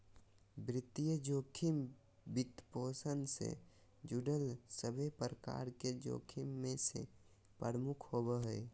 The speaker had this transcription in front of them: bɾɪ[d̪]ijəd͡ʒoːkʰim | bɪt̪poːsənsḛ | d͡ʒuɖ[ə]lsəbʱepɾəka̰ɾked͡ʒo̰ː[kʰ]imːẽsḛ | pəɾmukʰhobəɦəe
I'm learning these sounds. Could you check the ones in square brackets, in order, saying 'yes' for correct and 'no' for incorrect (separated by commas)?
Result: no, yes, yes